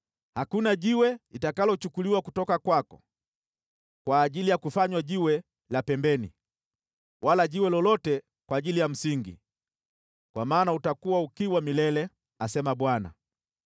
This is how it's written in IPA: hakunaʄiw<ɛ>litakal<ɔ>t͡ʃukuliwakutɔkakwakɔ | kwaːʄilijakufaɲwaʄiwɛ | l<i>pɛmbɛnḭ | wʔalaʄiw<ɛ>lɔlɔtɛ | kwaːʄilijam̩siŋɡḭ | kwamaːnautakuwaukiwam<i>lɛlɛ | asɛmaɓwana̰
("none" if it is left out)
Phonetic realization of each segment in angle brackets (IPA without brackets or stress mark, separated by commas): ɛ, ɔ, a, ɛ, i